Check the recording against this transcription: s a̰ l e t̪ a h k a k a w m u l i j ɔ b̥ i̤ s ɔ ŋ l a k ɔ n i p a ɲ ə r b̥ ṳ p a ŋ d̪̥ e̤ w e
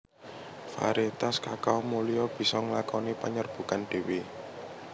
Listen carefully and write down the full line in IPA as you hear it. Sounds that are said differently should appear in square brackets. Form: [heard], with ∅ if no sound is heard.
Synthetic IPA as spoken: [f] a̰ [ɾ] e t̪ a [s] k a k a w m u l i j ɔ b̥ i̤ s ɔ ŋ l a k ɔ n i p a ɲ ə r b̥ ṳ [k] a [n] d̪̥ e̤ w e